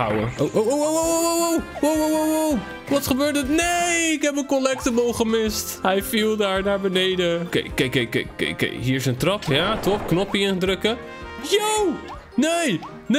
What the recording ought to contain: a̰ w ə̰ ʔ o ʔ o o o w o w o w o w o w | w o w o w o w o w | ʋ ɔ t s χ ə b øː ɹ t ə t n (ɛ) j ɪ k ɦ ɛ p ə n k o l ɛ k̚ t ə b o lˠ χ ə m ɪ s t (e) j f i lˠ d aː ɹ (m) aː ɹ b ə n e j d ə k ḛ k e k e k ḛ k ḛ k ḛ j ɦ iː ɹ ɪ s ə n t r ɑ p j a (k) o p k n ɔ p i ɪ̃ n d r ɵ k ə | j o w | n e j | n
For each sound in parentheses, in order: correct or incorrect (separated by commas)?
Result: incorrect, incorrect, incorrect, incorrect